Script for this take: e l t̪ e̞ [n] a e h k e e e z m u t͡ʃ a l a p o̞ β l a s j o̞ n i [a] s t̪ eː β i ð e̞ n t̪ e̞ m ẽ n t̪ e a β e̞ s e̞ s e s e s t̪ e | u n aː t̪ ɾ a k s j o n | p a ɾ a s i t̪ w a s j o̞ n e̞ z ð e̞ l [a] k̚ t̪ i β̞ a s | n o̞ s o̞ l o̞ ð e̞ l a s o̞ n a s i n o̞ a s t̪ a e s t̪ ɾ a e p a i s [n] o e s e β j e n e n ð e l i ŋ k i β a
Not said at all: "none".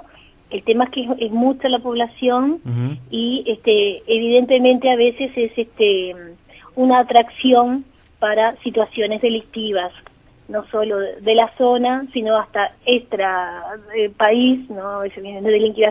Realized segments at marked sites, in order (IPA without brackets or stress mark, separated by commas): m, e, i, n